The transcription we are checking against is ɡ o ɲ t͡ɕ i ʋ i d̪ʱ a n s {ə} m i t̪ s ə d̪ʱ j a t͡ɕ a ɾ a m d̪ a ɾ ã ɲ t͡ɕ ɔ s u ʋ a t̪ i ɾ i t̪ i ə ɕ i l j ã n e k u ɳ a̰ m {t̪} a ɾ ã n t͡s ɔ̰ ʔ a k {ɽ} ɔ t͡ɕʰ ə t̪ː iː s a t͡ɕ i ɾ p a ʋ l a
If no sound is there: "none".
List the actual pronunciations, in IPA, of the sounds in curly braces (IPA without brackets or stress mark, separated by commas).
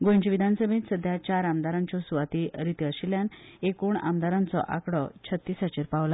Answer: ə, d̪, ɽ